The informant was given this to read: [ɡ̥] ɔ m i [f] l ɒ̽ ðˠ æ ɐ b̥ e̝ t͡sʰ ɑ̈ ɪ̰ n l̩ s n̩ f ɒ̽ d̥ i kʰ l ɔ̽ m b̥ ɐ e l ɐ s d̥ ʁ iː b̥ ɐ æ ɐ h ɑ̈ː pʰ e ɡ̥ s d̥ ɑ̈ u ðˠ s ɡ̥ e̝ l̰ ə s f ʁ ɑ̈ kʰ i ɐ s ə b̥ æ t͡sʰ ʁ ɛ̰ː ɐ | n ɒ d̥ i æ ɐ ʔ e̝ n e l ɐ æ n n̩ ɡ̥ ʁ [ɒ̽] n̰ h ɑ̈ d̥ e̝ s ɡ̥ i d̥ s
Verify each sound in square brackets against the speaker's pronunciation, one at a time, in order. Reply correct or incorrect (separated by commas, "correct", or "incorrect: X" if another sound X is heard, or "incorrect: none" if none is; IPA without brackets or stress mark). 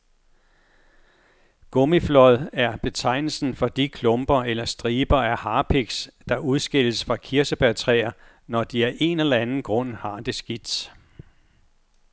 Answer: correct, correct, incorrect: ɔ̽